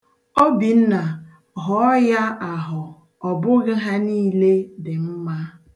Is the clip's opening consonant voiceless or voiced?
voiced